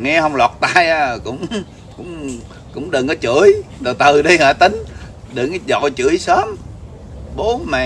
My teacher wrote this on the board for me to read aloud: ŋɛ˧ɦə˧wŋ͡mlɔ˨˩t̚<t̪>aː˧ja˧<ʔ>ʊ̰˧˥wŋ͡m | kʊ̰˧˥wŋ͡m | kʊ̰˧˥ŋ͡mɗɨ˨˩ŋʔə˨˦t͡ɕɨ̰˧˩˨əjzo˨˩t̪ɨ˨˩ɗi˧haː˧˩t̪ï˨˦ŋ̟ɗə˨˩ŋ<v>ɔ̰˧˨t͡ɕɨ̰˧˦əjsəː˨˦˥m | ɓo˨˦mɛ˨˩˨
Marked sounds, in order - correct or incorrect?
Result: correct, incorrect: k, incorrect: z

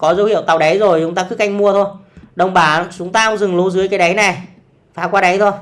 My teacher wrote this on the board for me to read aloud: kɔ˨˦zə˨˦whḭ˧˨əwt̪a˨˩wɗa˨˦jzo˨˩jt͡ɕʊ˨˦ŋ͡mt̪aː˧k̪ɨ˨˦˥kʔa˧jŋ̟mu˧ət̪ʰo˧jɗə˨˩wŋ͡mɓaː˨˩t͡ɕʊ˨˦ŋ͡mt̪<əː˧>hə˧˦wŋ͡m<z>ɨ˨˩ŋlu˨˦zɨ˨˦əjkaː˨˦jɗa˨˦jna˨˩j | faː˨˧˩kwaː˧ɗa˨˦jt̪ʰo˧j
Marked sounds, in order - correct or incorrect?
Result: incorrect: aː˧, correct

